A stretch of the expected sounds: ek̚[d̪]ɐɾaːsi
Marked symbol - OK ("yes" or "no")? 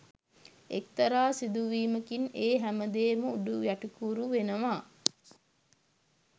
no